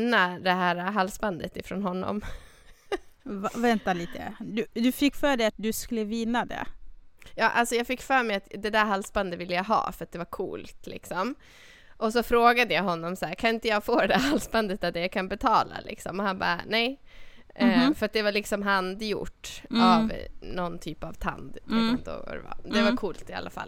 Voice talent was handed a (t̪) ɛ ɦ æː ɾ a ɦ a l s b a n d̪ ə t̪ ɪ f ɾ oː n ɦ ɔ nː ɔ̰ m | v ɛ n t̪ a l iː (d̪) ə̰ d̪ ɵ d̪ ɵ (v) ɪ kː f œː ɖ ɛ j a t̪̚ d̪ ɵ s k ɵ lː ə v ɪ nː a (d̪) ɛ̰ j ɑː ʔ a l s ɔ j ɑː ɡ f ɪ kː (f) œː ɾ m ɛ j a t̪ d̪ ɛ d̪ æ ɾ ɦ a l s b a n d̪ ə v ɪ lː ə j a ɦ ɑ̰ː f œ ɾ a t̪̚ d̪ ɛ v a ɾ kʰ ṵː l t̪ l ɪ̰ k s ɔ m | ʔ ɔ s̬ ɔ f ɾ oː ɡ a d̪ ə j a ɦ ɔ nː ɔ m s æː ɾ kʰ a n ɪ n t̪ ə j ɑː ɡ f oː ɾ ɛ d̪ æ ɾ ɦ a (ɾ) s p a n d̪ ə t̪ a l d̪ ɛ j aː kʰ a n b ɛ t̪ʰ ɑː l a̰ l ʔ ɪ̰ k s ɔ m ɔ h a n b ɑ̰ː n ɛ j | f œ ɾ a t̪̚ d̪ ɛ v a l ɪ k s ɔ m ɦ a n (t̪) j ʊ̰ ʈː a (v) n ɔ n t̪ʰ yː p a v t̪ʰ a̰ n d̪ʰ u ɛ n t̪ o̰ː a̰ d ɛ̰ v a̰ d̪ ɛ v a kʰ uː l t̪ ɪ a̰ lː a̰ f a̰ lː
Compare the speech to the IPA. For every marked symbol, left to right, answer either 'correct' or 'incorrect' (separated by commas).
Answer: incorrect, incorrect, incorrect, correct, correct, incorrect, incorrect, correct